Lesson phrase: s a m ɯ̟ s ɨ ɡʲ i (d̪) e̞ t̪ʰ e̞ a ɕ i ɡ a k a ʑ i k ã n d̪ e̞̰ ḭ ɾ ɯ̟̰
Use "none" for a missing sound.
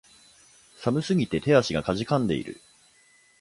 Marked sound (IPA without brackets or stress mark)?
t̪